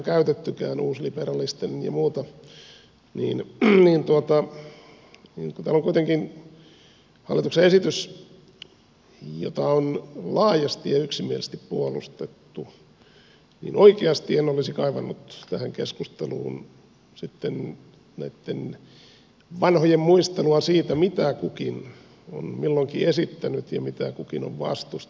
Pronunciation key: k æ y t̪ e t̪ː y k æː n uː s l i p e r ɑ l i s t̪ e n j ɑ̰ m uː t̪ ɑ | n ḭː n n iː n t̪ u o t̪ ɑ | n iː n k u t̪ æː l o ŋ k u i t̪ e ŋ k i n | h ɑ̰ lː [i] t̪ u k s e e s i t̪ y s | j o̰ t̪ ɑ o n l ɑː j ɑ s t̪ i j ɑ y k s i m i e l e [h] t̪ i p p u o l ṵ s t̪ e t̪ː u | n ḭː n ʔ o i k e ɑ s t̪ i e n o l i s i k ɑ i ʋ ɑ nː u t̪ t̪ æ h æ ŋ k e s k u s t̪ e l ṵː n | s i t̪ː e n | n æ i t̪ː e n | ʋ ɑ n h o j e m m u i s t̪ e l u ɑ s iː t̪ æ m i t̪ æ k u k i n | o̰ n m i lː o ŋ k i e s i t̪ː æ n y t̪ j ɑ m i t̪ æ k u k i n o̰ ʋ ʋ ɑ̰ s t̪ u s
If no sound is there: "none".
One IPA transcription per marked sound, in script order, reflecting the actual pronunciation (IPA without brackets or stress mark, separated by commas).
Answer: i, s